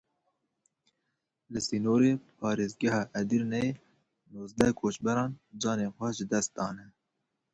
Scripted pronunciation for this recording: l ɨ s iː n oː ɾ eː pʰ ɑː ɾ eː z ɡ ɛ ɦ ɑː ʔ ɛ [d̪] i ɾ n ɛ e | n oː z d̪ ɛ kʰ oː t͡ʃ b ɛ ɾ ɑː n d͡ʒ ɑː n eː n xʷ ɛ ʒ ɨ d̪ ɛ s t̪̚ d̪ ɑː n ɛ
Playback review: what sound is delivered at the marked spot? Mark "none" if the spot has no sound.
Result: d̪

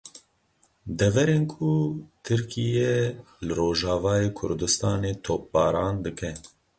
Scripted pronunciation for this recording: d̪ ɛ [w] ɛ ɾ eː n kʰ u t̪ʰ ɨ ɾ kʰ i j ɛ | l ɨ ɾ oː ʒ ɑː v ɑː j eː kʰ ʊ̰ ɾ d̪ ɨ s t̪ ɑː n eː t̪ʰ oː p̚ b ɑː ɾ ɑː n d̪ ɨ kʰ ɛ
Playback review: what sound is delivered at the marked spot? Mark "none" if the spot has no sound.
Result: v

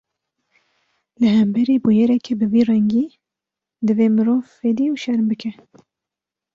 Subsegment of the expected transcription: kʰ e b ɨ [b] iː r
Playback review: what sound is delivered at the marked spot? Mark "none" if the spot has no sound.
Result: v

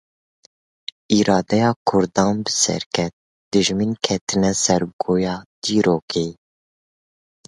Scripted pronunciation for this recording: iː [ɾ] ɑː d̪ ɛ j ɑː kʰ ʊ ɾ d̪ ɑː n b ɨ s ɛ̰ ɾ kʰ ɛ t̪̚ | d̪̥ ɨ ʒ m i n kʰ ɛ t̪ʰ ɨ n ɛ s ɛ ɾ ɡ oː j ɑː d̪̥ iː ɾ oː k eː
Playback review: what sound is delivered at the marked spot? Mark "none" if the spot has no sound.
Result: ɾ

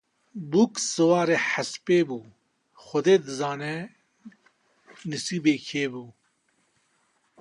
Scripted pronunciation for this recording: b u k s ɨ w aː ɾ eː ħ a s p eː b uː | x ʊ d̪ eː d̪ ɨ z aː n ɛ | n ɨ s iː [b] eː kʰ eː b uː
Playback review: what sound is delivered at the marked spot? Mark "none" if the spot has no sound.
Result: b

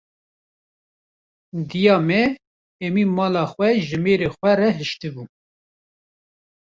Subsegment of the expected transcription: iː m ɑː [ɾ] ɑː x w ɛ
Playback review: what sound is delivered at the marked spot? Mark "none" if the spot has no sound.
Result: l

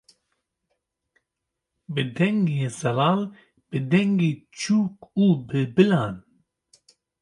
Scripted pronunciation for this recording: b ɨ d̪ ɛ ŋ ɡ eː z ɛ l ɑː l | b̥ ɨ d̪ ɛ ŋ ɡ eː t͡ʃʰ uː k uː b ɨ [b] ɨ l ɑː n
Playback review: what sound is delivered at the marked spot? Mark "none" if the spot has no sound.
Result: b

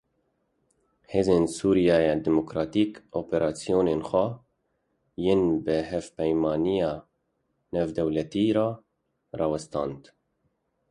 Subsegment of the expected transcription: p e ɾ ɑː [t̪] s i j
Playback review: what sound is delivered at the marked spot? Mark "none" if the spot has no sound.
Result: none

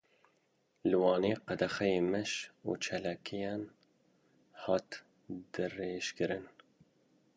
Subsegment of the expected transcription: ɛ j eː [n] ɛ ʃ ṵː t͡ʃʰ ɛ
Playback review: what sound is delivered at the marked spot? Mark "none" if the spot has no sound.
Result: m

